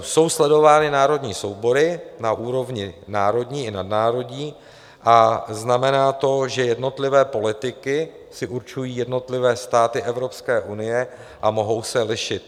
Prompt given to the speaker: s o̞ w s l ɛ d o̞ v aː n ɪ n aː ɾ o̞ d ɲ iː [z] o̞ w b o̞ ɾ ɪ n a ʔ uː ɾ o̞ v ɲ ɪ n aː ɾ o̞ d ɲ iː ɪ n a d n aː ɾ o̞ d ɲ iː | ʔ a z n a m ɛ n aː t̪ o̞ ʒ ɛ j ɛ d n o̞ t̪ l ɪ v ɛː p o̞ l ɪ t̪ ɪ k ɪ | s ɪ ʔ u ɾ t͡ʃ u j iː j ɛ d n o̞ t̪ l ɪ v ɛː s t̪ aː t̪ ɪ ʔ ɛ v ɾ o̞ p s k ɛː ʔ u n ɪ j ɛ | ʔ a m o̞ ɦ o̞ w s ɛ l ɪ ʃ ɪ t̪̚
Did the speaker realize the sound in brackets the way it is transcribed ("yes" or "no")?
no